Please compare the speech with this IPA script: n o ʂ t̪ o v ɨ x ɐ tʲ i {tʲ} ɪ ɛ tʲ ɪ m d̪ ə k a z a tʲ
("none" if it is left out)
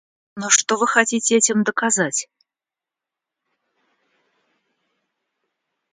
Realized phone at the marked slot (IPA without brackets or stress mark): tʲ